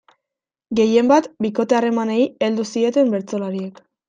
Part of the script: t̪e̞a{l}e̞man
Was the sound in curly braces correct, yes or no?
no